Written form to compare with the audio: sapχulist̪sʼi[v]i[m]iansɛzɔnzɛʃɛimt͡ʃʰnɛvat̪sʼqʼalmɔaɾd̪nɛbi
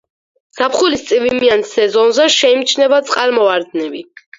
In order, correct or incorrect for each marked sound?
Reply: correct, correct

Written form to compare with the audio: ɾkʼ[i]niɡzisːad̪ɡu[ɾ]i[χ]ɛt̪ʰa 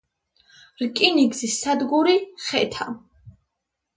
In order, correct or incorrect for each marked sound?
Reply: correct, correct, correct

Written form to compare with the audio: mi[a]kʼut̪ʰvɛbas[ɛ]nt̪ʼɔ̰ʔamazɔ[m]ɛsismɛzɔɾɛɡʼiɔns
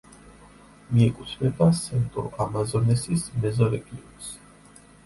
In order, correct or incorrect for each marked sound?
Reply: incorrect: ɛ, correct, incorrect: n

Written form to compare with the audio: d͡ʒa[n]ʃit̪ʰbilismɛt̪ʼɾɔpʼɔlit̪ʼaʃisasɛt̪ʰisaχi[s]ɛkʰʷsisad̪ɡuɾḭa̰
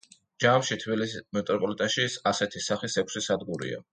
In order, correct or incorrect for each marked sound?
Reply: incorrect: m, correct

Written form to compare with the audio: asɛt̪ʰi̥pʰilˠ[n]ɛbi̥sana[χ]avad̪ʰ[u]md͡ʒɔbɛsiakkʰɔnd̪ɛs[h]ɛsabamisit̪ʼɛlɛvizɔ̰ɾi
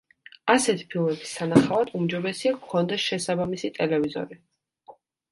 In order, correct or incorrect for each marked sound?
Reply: incorrect: m, correct, correct, incorrect: ʃ

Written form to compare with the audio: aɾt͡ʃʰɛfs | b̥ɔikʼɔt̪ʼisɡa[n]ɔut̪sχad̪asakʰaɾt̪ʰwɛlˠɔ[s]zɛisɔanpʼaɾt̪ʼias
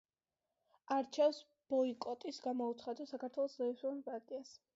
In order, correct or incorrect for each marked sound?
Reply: incorrect: m, correct

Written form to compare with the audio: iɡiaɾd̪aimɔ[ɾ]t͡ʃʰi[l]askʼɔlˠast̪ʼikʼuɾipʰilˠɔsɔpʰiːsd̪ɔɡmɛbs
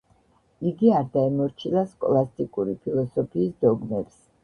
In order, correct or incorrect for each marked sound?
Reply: correct, correct

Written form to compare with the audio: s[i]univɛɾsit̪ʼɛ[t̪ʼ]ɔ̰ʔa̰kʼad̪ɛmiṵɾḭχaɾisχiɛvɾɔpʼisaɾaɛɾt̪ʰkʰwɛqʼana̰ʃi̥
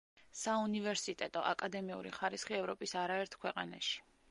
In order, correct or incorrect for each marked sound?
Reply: incorrect: a, correct

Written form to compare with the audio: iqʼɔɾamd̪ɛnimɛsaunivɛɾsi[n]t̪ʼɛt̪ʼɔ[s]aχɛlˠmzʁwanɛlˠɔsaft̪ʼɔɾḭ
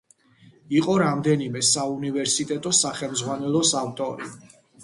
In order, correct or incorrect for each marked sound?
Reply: incorrect: none, correct

